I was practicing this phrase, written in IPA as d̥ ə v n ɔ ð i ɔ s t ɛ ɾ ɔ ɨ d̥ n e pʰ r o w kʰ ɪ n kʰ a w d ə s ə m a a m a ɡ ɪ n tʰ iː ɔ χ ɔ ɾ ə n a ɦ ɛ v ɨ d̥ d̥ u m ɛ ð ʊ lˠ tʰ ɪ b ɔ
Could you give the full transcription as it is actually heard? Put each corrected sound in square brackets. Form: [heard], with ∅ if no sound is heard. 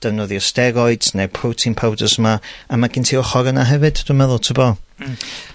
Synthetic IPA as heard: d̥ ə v n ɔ ð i ɔ s t ɛ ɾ ɔ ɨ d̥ n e pʰ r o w [tʰ] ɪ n [pʰ] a w d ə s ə m a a m a ɡ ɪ n tʰ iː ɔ χ ɔ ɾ ə n a ɦ ɛ v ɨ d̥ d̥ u m ɛ ð ʊ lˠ tʰ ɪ b ɔ

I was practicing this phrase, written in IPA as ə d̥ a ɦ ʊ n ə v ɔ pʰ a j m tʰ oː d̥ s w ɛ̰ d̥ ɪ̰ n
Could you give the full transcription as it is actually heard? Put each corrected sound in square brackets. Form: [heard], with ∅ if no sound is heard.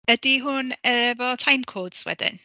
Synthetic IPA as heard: ə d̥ [i] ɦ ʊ n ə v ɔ [tʰ] a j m [kʰ] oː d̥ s w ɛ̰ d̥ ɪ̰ n

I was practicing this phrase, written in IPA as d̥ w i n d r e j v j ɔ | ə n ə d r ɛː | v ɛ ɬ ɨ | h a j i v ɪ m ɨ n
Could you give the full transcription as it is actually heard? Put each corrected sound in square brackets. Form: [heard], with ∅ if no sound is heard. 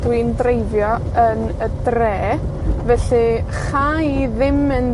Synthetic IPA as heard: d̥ w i n d r e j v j ɔ | ə n ə d r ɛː | v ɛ ɬ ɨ | [χ] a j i [ð] ɪ m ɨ n

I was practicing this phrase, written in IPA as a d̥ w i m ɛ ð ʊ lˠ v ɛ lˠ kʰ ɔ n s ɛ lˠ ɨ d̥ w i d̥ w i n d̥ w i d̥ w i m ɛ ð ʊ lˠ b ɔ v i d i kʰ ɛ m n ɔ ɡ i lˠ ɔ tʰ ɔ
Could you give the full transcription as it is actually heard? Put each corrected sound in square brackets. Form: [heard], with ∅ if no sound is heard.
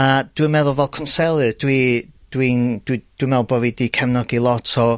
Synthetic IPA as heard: a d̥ w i m ɛ ð ʊ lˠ v ɛ lˠ kʰ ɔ n s ɛ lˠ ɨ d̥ w i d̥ w i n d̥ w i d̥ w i m ɛ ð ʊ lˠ b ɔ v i d i kʰ ɛ m n ɔ ɡ i lˠ ɔ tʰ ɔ

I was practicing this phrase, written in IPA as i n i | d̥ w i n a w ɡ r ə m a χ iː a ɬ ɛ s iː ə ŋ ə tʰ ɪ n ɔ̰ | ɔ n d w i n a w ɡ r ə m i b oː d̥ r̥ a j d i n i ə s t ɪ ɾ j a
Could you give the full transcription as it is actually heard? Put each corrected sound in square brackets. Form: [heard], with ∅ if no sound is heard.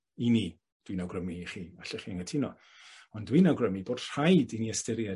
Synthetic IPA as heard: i n i | d̥ w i n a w ɡ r ə m [i] χ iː a ɬ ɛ [χ] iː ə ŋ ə tʰ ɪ n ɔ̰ | ɔ n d w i n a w ɡ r ə m i b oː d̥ r̥ a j d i n i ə s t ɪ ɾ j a

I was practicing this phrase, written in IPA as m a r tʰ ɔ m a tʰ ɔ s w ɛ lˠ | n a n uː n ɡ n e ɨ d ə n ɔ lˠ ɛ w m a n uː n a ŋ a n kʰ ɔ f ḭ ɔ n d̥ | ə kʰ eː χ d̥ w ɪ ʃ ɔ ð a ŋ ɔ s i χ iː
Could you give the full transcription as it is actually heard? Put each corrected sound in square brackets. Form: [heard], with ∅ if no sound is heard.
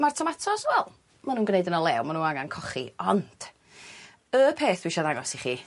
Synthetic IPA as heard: m a r tʰ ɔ m a tʰ ɔ s w ɛ lˠ | [m] a n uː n ɡ n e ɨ d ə n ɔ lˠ ɛ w m a n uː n a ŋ a n kʰ ɔ [χ] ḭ ɔ n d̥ | ə [pʰ] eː [θ] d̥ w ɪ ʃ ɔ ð a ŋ ɔ s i χ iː

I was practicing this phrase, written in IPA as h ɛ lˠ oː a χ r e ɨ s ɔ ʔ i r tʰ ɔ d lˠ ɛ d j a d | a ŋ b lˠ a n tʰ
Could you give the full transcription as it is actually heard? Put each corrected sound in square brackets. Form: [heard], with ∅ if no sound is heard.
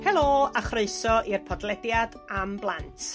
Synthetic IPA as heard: h ɛ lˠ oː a χ r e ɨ s ɔ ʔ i r [pʰ] ɔ d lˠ ɛ d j a d | a [m] b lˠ a n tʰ

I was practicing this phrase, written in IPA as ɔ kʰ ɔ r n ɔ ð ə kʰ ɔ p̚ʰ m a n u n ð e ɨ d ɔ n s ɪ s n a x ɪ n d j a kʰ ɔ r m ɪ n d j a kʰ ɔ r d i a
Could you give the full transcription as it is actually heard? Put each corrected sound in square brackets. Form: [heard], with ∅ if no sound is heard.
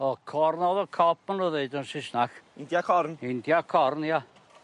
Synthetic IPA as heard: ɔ kʰ ɔ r n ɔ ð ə kʰ ɔ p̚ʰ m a n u [∅] ð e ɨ d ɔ n s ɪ s n a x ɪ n d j a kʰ ɔ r [n] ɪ n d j a kʰ ɔ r [n] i a

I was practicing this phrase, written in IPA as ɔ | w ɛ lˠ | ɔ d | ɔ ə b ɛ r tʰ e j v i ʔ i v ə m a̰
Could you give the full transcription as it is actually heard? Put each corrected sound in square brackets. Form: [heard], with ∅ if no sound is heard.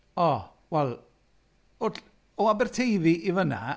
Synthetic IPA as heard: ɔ | w ɛ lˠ | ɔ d | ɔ [a] b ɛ r tʰ e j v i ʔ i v ə [n] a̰

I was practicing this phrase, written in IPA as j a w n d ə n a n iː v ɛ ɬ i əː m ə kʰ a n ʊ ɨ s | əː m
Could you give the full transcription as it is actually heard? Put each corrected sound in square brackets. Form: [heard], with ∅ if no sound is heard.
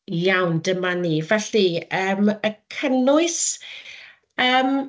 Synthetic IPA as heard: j a w n d ə [m] a n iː v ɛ ɬ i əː m ə kʰ [ə] n ʊ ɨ s | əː m

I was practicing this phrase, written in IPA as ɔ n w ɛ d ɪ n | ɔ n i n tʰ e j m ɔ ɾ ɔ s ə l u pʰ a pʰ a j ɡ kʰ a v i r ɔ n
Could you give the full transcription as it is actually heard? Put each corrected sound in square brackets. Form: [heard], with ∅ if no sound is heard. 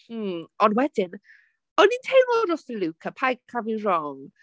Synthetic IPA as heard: ɔ n w ɛ d ɪ n | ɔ n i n tʰ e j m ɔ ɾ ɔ s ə l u [kʰ] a pʰ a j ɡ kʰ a v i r ɔ [ŋ]

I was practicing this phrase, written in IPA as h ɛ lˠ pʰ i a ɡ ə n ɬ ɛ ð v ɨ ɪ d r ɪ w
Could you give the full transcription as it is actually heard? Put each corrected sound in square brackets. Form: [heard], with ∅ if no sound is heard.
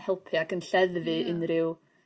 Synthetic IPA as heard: h ɛ lˠ pʰ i a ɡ ə n ɬ ɛ ð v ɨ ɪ [n] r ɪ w

